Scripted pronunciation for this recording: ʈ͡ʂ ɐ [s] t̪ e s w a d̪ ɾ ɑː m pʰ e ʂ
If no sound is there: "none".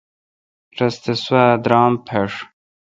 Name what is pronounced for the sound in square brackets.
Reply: s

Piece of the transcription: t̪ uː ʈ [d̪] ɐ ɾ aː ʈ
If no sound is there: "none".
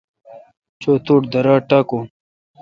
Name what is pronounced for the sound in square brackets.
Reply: d̪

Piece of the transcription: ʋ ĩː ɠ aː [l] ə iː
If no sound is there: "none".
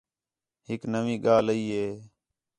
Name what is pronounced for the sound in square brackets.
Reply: l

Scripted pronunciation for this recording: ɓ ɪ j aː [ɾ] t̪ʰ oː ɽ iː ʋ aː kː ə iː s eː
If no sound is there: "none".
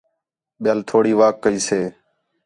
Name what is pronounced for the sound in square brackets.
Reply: l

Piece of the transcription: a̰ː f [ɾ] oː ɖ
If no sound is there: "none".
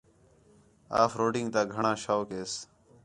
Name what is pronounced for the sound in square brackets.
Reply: ɾ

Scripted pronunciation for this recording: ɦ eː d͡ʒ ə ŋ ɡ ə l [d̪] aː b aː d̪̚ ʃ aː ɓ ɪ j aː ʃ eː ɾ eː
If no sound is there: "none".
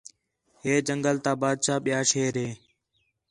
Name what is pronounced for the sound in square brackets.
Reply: t̪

